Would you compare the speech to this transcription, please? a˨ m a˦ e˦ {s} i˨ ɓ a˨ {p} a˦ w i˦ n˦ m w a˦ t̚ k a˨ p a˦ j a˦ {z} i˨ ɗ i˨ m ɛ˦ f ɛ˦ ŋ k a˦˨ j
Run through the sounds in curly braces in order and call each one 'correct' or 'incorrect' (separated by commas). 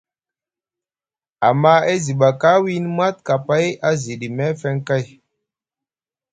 incorrect, incorrect, correct